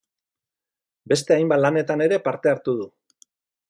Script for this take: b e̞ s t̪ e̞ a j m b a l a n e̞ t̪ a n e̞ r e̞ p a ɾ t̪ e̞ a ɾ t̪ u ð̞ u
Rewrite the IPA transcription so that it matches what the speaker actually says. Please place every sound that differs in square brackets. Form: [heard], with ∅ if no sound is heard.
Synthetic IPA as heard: b e̞ s t̪ e̞ a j m b a l a n e̞ t̪ a n e̞ [ɾ] e̞ p a ɾ t̪ e̞ a ɾ t̪ u ð̞ u